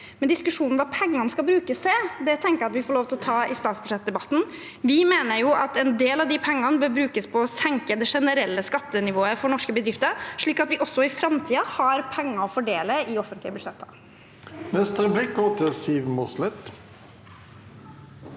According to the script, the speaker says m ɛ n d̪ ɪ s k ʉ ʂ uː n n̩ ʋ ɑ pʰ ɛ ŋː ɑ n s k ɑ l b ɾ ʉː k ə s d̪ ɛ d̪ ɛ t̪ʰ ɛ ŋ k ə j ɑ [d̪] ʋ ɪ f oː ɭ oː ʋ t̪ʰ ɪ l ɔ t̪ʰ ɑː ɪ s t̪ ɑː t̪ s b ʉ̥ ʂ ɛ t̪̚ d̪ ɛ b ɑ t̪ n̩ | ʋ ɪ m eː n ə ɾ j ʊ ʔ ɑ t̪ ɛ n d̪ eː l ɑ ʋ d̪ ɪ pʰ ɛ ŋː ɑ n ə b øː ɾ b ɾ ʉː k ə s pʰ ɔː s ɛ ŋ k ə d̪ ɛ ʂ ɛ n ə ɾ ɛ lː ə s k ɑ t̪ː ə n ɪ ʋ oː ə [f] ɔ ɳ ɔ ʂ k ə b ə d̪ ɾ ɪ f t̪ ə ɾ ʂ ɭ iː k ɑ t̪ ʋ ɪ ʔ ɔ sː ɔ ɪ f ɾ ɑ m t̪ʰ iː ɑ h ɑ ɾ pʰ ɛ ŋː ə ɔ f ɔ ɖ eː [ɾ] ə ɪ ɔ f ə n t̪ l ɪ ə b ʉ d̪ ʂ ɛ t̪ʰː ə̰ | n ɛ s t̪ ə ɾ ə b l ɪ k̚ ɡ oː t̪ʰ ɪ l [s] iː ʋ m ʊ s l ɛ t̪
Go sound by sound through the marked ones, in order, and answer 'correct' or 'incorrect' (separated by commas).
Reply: incorrect, correct, incorrect, correct